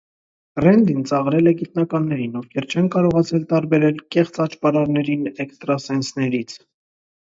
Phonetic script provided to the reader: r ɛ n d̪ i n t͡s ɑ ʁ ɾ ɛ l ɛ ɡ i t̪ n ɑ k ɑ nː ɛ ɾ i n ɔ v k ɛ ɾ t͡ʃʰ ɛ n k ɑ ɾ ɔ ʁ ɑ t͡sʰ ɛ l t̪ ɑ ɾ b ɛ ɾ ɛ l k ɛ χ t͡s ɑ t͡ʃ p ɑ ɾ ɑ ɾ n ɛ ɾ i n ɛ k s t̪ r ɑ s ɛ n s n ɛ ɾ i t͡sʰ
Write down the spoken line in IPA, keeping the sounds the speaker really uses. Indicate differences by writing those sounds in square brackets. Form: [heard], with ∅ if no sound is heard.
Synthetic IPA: r ɛ n d̪ i n t͡s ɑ ʁ ɾ ɛ l ɛ ɡ i t̪ n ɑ k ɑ nː ɛ ɾ i n ɔ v [kʰ] ɛ ɾ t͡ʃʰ ɛ n k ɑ ɾ ɔ ʁ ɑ t͡sʰ ɛ l t̪ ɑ ɾ b ɛ ɾ ɛ l k ɛ χ t͡s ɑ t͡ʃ p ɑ ɾ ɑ ɾ n ɛ ɾ i n ɛ k s t̪ [ɾ] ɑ s ɛ n s n ɛ ɾ i t͡sʰ

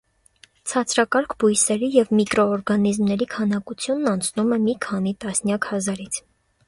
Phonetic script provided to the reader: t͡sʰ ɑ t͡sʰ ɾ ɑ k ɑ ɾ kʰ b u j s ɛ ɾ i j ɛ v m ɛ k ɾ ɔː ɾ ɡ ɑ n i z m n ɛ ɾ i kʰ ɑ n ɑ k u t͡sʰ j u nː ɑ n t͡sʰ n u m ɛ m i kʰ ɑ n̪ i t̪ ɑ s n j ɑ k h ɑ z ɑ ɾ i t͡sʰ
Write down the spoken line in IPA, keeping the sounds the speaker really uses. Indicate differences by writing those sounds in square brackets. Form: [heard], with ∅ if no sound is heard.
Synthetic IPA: t͡sʰ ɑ t͡sʰ ɾ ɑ k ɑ ɾ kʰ b u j s ɛ ɾ i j ɛ v m [i] k ɾ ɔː ɾ ɡ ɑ n i z m n ɛ ɾ i kʰ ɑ n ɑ k u t͡sʰ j u nː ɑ n t͡sʰ n u m ɛ m i kʰ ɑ n̪ i t̪ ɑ s n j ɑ k h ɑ z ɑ ɾ i t͡sʰ

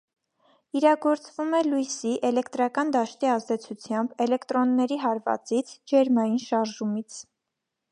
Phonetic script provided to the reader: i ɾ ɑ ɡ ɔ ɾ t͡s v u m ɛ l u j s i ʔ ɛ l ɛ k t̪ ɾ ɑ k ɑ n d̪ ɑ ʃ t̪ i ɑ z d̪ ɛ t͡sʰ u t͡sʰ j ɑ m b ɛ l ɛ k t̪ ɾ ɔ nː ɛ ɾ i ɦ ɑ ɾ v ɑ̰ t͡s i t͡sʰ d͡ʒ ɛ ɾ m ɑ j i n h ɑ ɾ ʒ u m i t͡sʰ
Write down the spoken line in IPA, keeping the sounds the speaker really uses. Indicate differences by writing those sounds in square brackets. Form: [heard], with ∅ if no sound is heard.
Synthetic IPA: i ɾ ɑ ɡ ɔ ɾ t͡s v u m ɛ l u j s i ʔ ɛ l ɛ k t̪ ɾ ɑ k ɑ n d̪ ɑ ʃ t̪ i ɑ z d̪ ɛ t͡sʰ u t͡sʰ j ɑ m b ɛ l ɛ k t̪ ɾ ɔ nː ɛ ɾ i ɦ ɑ ɾ v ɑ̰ t͡s i t͡sʰ d͡ʒ ɛ ɾ m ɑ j i n [ʃ] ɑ ɾ ʒ u m i t͡sʰ

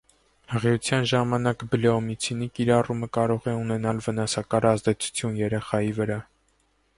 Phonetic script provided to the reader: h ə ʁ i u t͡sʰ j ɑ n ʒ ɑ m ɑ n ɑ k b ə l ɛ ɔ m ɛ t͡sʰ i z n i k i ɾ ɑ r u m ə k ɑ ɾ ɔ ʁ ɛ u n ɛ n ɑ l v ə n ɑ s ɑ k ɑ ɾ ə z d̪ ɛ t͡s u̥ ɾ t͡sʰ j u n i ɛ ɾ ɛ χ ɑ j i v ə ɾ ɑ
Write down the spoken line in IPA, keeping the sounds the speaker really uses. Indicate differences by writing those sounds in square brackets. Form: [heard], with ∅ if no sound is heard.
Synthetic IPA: h ə ʁ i u t͡sʰ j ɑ n ʒ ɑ m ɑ n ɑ k b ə l ɛ ɔ m [i] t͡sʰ i [∅] n i k i ɾ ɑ r u m ə k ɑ ɾ ɔ ʁ ɛ u n ɛ n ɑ l v ə n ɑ s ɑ k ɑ ɾ [ɑ] z d̪ ɛ [t͡sʰ] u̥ [∅] t͡sʰ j u n [j] ɛ ɾ ɛ χ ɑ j i v ə ɾ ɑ

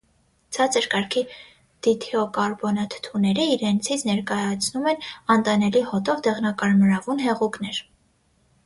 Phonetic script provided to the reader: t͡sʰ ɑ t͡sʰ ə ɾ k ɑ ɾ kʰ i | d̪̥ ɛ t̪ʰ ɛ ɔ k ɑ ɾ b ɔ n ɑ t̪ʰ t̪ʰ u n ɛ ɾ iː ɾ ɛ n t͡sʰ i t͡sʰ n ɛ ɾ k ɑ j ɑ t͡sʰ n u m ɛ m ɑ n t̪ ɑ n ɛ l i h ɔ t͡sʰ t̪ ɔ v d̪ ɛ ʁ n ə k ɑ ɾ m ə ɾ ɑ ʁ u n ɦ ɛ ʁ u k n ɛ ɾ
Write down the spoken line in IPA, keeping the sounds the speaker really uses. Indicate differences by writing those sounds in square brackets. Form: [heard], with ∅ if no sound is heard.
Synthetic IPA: t͡sʰ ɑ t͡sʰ ə ɾ k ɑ ɾ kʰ i | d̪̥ [i] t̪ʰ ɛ ɔ k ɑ ɾ b ɔ n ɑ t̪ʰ t̪ʰ u n ɛ ɾ iː ɾ ɛ n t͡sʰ i t͡sʰ n ɛ ɾ k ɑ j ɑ t͡sʰ n u m ɛ [n] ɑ n t̪ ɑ n ɛ l i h ɔ [∅] t̪ ɔ v d̪ ɛ ʁ n [ɑ] k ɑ ɾ m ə ɾ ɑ [v] u n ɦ ɛ ʁ u k n ɛ ɾ

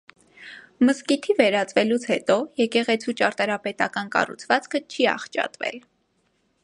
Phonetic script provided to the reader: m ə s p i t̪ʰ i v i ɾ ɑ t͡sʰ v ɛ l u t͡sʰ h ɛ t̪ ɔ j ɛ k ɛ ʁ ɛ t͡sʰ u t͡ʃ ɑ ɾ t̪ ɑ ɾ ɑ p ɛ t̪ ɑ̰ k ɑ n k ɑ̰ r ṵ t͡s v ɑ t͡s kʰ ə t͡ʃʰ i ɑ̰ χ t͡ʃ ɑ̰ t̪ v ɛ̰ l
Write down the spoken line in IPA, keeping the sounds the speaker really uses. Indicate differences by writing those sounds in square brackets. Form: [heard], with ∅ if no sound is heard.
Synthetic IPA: m ə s [k] i t̪ʰ i v [ɛ] ɾ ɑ [t͡s] v ɛ l u t͡sʰ h ɛ t̪ ɔ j ɛ k ɛ ʁ ɛ t͡sʰ u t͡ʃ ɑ ɾ t̪ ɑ ɾ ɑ p ɛ t̪ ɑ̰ k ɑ n k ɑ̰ r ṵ [t͡sʰ] v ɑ t͡s kʰ ə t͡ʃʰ i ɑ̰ χ t͡ʃ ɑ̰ t̪ v ɛ̰ l

